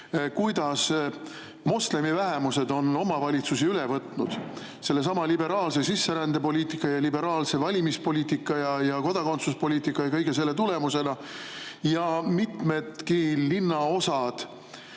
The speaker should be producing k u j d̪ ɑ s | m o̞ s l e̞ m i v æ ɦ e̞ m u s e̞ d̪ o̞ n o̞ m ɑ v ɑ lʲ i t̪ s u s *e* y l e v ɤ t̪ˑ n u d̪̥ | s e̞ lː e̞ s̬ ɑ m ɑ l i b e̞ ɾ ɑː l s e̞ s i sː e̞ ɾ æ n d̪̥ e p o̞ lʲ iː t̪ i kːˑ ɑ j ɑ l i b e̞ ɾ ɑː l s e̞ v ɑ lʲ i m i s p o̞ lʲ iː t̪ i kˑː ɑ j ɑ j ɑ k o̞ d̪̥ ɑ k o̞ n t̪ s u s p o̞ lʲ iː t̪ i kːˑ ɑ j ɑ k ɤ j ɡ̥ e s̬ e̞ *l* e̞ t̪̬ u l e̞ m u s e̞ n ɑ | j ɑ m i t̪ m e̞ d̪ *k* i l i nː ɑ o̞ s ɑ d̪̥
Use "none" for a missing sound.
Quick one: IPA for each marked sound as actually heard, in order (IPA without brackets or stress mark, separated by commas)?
i, lː, k